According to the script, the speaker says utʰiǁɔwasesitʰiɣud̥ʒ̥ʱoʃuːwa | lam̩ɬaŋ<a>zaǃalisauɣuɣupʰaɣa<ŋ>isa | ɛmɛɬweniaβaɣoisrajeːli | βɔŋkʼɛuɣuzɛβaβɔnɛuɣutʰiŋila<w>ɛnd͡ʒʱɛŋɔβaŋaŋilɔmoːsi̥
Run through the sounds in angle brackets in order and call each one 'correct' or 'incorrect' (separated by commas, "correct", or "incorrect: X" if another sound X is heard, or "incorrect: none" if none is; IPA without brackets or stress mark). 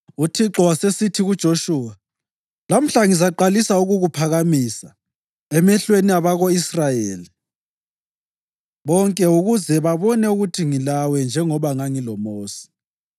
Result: incorrect: i, incorrect: m, correct